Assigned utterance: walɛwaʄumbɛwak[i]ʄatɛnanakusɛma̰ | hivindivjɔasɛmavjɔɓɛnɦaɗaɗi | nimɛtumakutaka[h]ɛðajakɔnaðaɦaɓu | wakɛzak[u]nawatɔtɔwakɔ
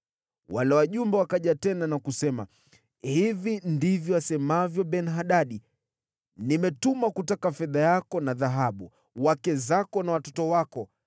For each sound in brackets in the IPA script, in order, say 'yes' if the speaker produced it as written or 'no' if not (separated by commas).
no, no, no